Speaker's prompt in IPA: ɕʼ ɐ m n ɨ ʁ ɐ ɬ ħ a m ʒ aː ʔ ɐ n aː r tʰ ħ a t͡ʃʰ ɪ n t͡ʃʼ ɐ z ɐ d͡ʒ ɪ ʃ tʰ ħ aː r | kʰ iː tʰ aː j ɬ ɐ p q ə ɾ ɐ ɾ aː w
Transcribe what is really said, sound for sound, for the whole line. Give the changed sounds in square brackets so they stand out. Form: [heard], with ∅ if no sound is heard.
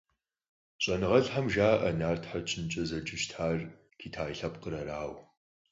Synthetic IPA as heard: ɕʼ ɐ [∅] n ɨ ʁ ɐ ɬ ħ a m ʒ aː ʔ ɐ n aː r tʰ ħ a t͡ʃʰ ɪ n t͡ʃʼ ɐ z ɐ d͡ʒ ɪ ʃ tʰ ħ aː r | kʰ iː tʰ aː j ɬ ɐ p q ə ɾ ɐ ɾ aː w